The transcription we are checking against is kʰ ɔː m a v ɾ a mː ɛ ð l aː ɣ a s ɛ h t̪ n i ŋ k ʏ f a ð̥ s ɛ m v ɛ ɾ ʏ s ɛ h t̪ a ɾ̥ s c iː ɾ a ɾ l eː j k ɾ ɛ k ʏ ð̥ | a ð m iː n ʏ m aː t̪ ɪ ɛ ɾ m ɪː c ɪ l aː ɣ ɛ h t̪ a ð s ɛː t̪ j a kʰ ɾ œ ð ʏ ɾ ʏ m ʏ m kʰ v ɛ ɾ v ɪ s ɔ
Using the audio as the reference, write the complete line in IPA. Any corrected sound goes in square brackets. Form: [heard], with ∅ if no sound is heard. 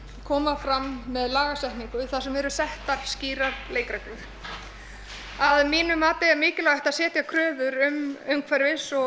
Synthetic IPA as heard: kʰ ɔː m a [f] ɾ a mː ɛ ð l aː ɣ a s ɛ h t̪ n i ŋ k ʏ [θ] a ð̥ s ɛ m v ɛ ɾ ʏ s ɛ h t̪ a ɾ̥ s c iː ɾ a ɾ l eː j k ɾ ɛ k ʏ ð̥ | a ð m iː n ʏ m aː t̪ ɪ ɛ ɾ m ɪː c ɪ l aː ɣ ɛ h t̪ a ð s ɛː t̪ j a kʰ ɾ [œː] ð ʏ ɾ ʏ m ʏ m kʰ v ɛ ɾ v ɪ s ɔ